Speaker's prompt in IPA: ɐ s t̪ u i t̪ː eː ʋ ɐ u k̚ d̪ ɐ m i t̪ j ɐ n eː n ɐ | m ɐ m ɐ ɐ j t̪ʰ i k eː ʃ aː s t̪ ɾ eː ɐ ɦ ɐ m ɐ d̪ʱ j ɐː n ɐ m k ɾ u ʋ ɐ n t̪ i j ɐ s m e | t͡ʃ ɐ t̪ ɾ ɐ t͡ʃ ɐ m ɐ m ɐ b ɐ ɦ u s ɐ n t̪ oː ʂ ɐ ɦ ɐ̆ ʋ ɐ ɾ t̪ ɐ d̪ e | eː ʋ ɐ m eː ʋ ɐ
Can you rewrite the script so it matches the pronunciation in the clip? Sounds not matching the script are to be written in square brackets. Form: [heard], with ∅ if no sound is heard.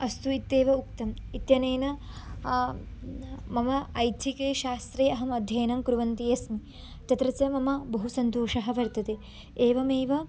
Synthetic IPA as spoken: ɐ s t̪ u i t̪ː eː ʋ ɐ u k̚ [t̪] ɐ m i t̪ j ɐ n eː n ɐ | m ɐ m ɐ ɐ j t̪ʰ i k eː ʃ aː s t̪ ɾ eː ɐ ɦ ɐ m ɐ d̪ʱ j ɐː n ɐ m k ɾ u ʋ ɐ n t̪ i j ɐ s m [i] | t͡ʃ ɐ t̪ ɾ ɐ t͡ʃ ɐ m ɐ m ɐ b ɐ ɦ u s ɐ n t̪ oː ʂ ɐ ɦ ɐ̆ ʋ ɐ ɾ t̪ ɐ [t̪] e | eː ʋ ɐ m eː ʋ ɐ